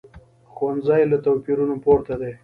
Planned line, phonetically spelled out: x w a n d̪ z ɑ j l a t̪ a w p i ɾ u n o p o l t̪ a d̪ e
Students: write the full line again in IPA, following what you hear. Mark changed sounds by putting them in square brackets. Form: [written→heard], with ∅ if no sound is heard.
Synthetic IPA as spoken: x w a n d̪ z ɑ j l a t̪ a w p i ɾ u n o p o [l→ɾ] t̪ a d̪ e